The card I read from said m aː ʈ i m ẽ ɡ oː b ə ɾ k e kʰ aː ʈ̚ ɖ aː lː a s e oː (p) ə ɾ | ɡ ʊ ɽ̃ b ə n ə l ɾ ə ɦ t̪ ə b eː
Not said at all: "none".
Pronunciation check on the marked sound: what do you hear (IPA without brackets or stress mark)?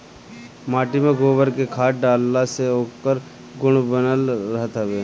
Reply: k